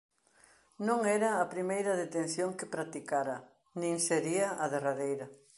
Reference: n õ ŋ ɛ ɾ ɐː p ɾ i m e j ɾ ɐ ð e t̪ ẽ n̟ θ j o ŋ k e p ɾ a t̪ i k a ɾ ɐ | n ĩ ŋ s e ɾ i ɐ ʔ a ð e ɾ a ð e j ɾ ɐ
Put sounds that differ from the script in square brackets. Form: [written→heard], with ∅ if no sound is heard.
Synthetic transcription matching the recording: n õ ŋ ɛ ɾ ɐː p ɾ i m e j ɾ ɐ ð e t̪ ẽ n̟ θ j o ŋ k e p ɾ a t̪ i k a ɾ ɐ | n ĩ ŋ s e ɾ i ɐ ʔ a ð e [ɾ→r] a ð e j ɾ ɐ